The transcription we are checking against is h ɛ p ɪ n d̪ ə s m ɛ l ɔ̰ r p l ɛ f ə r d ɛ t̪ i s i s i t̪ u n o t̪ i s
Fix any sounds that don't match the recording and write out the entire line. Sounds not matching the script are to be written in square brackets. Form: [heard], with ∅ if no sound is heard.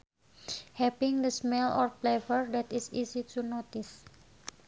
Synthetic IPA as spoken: h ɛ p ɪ [ŋ] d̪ ə s m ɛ l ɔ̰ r p l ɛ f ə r d ɛ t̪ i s i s i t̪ u n o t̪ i s